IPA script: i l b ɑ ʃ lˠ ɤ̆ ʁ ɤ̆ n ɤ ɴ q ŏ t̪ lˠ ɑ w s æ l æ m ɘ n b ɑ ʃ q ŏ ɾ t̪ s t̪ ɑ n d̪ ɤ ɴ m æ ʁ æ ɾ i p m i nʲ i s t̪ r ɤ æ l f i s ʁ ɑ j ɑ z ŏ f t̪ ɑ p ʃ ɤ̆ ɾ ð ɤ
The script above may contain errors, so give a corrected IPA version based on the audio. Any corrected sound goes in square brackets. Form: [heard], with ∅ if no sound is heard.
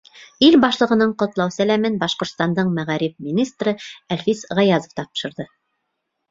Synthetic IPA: i l b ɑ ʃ lˠ ɤ̆ ʁ ɤ̆ n ɤ ɴ q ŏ t̪ lˠ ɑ w s æ l æ m ɘ n b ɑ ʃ q ŏ ɾ t̪ s t̪ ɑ n d̪ ɤ ɴ m æ ʁ æ ɾ i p m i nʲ i s t̪ r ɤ æ l f i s ʁ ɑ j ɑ z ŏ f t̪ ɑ p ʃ ɤ̆ ɾ ð ɤ